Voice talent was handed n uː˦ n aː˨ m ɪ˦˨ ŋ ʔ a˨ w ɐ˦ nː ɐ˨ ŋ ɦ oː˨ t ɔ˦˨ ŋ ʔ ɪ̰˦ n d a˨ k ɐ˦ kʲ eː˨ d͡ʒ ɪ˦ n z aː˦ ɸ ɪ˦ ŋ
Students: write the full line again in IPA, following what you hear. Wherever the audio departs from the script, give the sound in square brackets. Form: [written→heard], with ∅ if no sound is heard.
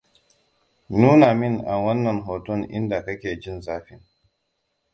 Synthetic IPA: n uː˦ n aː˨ m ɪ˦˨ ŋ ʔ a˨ w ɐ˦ nː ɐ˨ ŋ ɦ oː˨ t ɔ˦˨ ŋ ʔ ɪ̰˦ n d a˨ k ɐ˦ kʲ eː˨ d͡ʒ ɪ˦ n z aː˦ ɸ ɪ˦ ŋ